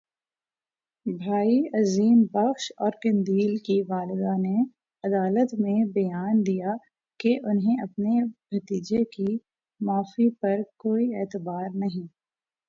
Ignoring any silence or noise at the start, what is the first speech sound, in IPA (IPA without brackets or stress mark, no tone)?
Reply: bʱ